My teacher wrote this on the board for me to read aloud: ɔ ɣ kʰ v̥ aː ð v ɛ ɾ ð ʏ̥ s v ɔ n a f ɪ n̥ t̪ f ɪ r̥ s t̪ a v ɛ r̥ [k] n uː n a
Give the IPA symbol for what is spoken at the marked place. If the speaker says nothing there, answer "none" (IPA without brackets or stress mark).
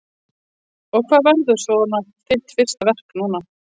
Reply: k